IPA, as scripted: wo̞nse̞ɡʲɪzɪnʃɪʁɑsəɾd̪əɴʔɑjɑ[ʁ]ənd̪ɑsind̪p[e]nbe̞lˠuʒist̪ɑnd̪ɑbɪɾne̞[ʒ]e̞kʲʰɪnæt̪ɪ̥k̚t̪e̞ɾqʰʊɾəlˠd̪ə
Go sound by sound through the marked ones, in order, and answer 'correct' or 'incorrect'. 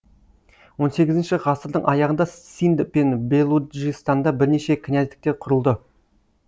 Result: correct, correct, incorrect

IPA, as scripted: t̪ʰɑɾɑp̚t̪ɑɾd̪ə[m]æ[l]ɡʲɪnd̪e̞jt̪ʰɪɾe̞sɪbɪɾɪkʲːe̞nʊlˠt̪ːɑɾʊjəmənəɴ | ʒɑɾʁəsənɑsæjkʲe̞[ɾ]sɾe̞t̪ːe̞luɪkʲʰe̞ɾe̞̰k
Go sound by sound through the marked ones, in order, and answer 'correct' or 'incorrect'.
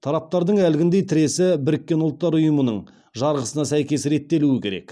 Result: incorrect, correct, incorrect

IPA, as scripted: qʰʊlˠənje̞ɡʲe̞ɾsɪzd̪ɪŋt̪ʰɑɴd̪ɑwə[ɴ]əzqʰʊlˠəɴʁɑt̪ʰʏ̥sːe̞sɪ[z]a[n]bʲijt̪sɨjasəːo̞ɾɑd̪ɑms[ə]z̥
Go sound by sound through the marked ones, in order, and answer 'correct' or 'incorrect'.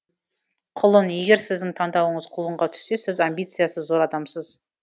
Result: correct, correct, incorrect, correct

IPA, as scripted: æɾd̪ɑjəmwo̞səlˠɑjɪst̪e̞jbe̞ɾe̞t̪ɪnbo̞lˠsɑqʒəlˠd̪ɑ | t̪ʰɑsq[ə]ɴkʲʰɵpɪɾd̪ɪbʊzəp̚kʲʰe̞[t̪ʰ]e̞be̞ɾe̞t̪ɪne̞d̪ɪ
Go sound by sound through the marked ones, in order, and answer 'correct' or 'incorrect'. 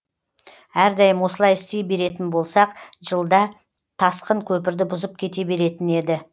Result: correct, incorrect

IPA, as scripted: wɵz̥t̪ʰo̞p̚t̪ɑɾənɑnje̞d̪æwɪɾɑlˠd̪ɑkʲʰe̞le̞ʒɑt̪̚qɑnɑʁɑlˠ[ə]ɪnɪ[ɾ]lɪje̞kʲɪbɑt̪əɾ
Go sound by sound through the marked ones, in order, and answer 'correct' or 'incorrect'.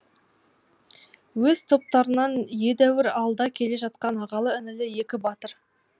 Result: correct, incorrect

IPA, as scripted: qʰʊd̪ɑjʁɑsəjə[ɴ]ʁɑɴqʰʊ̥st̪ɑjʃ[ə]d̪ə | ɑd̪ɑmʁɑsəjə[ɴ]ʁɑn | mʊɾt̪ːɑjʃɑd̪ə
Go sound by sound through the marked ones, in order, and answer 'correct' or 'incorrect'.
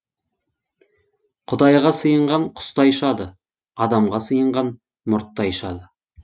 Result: correct, incorrect, correct

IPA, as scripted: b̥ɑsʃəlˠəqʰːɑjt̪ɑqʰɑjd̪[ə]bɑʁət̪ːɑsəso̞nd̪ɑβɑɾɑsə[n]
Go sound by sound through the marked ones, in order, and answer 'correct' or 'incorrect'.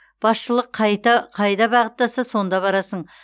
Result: incorrect, incorrect

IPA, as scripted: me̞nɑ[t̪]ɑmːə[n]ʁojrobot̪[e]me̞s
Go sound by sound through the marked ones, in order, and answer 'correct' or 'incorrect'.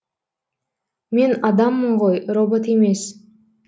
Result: incorrect, incorrect, correct

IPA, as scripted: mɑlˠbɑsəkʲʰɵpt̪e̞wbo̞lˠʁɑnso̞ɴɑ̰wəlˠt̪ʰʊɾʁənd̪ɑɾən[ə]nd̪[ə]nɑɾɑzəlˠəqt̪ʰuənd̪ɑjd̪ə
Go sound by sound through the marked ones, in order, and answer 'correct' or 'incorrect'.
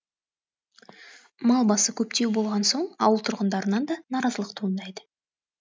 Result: incorrect, incorrect

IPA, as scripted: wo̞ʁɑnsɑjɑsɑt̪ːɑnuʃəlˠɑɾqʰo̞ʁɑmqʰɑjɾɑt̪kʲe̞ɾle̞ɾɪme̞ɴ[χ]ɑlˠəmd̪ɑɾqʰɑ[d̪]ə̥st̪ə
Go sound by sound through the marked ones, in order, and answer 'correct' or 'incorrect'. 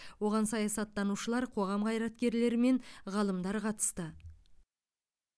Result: incorrect, incorrect

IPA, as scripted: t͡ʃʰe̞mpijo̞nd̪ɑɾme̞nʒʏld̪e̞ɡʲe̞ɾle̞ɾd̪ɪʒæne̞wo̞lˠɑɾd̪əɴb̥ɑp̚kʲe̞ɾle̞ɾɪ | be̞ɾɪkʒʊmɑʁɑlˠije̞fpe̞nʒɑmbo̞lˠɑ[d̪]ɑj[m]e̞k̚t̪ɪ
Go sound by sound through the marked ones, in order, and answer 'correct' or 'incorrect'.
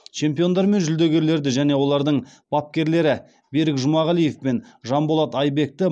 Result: incorrect, incorrect

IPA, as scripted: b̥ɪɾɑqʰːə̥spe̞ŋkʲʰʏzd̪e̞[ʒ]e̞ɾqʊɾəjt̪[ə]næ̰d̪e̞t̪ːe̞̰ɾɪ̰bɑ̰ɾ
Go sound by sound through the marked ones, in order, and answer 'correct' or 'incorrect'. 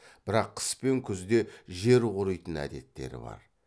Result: correct, correct

